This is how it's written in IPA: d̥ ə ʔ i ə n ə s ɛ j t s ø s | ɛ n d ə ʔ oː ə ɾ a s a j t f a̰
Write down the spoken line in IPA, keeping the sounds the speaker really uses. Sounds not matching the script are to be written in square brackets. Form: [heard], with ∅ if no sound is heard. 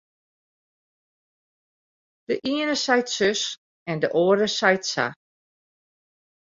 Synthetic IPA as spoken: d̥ ə ʔ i ə n ə s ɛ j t s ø s | ɛ n d ə ʔ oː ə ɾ [ə] s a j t [s] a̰